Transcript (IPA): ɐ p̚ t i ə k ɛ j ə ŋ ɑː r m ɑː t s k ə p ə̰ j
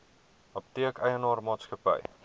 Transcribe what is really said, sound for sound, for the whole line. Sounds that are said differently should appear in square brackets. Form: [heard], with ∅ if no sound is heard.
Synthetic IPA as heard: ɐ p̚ t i ə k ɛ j ə [n] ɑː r m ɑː t s k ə p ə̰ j